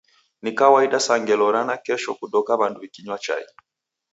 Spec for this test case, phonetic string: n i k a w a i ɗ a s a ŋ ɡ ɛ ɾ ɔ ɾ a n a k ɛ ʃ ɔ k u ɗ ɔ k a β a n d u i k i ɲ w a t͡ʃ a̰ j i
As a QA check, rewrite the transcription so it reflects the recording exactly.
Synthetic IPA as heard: n i k a w a i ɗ a s a ŋ ɡ ɛ l ɔ ɾ a n a k ɛ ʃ ɔ k u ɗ ɔ k a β a n d u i k i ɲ w a t͡ʃ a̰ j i